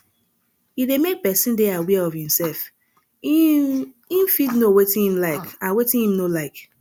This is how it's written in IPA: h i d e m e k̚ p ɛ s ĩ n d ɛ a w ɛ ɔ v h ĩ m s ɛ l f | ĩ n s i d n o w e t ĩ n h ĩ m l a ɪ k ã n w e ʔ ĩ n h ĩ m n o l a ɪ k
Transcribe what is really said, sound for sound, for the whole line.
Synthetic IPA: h i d e m e k̚ p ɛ s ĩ n d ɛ a w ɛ ɔ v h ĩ m s ɛ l f | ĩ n f i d n o w e t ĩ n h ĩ m l a ɪ k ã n w e t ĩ n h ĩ m n o l a ɪ k